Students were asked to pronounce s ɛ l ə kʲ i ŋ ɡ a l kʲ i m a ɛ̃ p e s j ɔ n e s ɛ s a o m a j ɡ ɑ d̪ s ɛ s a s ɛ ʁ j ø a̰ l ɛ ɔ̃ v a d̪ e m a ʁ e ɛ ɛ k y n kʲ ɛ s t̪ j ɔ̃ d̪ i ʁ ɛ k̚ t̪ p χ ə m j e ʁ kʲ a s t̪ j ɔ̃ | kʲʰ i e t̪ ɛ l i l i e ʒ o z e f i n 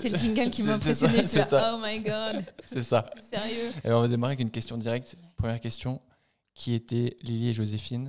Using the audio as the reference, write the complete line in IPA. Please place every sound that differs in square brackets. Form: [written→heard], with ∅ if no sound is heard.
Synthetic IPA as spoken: s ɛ l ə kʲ i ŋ ɡ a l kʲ i m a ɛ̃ p e s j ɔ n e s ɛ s a o m a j ɡ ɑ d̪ s ɛ s a s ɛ ʁ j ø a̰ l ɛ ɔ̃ v a d̪ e m a ʁ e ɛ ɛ k y n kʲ ɛ s t̪ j ɔ̃ d̪ i ʁ ɛ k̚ t̪ p χ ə m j [e→ɛ] ʁ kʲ [a→ɛ] s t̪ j ɔ̃ | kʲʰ i e t̪ ɛ l i l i e ʒ o z e f i n